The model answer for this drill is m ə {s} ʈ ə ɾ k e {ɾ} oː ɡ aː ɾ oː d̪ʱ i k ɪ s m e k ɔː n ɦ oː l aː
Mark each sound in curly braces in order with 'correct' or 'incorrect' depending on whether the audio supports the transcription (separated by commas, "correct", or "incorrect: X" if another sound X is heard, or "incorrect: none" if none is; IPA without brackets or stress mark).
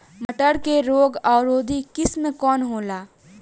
incorrect: none, correct